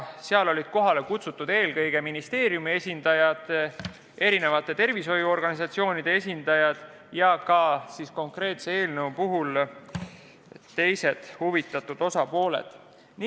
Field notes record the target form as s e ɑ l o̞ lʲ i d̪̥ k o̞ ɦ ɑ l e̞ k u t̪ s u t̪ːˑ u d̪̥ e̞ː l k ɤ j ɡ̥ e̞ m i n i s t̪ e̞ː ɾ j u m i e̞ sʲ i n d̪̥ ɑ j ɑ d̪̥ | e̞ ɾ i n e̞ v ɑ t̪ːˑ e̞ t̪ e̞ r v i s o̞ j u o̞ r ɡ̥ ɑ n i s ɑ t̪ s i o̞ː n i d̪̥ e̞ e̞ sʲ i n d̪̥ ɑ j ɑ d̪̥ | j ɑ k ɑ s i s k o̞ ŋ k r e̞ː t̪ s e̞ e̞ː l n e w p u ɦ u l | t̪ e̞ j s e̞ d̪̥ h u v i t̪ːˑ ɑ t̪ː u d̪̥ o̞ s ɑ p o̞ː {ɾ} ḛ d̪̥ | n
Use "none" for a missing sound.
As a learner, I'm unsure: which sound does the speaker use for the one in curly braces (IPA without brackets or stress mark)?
l